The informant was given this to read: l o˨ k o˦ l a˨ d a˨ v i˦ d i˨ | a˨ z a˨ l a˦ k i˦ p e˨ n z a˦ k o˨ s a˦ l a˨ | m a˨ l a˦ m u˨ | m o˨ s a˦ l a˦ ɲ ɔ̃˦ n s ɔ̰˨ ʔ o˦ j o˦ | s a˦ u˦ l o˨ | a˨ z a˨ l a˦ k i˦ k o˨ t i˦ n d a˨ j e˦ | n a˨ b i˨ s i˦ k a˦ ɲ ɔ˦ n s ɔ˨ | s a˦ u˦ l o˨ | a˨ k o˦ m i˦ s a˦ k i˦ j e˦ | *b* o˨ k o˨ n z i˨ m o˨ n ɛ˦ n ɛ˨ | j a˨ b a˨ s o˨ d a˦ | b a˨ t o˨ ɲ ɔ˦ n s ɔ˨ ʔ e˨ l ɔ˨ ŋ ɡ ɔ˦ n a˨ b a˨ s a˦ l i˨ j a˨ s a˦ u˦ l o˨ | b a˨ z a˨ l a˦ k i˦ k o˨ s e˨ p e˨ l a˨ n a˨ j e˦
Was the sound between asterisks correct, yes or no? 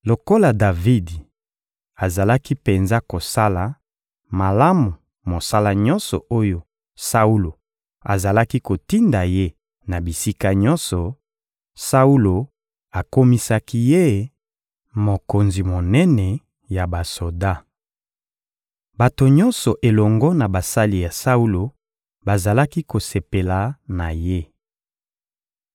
no